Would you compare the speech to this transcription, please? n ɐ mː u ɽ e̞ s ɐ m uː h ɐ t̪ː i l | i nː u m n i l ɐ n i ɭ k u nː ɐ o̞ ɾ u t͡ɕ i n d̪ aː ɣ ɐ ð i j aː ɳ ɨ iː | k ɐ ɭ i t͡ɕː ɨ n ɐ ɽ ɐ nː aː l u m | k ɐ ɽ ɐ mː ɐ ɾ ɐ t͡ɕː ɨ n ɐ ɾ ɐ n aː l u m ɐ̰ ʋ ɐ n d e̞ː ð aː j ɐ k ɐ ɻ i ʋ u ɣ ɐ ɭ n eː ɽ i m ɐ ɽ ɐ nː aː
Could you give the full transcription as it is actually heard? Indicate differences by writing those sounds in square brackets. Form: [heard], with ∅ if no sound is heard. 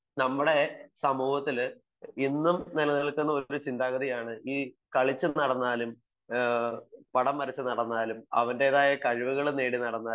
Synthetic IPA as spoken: n ɐ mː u ɽ e̞ s ɐ m uː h ɐ t̪ː i l | i nː u m n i l ɐ n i ɭ k u nː ɐ o̞ ɾ u t͡ɕ i n d̪ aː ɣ ɐ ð i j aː ɳ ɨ iː | k ɐ ɭ i t͡ɕː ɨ n ɐ ɽ ɐ nː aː l u m | [p] ɐ ɽ ɐ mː ɐ ɾ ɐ t͡ɕː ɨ n ɐ [ɽ] ɐ [nː] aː l u m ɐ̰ ʋ ɐ n d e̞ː ð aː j ɐ k ɐ ɻ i ʋ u ɣ ɐ ɭ n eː ɽ i [n] ɐ ɽ ɐ nː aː